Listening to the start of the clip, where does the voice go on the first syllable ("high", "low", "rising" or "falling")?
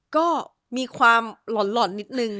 falling